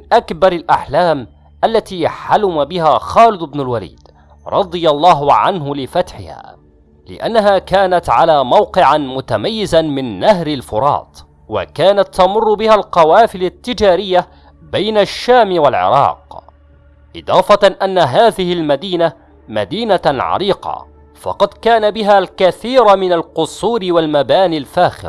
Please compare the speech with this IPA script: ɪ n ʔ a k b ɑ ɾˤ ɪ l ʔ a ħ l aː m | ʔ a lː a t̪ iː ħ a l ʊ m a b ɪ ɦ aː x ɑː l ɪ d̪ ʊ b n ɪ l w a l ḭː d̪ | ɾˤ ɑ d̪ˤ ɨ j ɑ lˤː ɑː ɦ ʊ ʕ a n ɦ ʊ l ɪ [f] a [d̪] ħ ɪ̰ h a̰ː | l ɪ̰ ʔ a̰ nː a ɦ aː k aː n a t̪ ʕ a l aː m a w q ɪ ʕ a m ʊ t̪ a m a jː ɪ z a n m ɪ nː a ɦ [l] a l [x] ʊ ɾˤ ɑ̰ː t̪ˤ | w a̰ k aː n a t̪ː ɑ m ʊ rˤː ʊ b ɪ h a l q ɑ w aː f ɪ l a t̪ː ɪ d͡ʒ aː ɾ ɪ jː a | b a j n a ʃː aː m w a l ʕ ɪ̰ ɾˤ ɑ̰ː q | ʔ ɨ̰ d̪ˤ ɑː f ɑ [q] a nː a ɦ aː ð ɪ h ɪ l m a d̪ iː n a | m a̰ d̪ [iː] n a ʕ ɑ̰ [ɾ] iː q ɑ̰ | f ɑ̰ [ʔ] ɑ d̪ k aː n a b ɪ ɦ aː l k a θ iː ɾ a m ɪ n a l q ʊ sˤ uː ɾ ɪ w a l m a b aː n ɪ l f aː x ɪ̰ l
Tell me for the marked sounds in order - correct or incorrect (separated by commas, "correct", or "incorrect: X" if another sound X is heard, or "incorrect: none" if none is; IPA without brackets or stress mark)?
correct, incorrect: t̪, incorrect: ɾ, incorrect: f, incorrect: ʔ, correct, correct, incorrect: q